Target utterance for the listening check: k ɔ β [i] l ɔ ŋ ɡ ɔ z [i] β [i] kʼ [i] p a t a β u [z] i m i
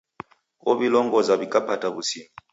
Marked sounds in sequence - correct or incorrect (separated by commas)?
correct, incorrect, correct, incorrect, incorrect